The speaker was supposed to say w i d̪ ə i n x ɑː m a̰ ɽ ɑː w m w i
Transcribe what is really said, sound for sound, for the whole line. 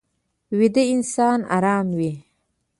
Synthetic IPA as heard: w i d̪ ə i n s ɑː n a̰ ɾ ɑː m w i